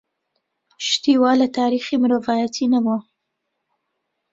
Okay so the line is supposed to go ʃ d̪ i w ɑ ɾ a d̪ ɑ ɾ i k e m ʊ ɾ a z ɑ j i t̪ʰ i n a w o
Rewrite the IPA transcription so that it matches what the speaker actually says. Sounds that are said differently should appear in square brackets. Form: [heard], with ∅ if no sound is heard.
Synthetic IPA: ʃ [t̪] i w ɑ [l] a [t̪] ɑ ɾ i [x] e m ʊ ɾ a [v] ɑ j [a] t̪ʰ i n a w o